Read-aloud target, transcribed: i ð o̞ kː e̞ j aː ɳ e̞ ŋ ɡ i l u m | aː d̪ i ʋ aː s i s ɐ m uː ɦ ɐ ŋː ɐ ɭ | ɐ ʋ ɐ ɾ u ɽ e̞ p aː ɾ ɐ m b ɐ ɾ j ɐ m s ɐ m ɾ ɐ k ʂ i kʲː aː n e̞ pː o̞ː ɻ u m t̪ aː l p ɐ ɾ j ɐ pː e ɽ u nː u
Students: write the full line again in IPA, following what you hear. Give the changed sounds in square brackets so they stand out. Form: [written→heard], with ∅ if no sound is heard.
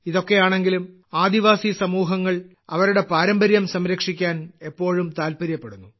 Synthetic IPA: i ð o̞ kː e̞ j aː ɳ e̞ ŋ ɡ i l u m | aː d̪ i ʋ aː s i s ɐ m uː ɦ ɐ ŋː ɐ ɭ | ɐ ʋ ɐ ɾ u ɽ e̞ p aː ɾ ɐ m b ɐ ɾ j ɐ m s ɐ m ɾ ɐ k ʂ i kʲː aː n e̞ pː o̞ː ɻ u m t̪ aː l p ɐ ɾ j ɐ pː e ɽ u nː u